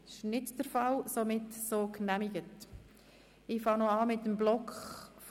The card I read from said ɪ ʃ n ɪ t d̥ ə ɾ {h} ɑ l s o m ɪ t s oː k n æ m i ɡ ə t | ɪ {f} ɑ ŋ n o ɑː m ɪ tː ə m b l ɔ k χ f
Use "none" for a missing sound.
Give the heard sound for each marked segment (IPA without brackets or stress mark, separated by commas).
f, f